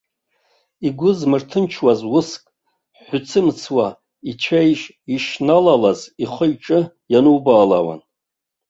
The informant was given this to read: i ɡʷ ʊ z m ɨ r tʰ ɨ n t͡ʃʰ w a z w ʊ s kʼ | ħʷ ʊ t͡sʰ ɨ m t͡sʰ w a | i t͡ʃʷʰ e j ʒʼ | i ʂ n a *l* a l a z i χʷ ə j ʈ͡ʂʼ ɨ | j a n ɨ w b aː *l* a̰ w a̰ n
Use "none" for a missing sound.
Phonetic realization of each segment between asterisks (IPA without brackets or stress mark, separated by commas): l, l